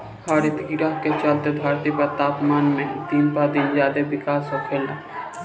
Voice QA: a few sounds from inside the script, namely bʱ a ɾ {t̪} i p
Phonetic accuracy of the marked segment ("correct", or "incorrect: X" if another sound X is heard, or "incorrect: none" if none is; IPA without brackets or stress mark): correct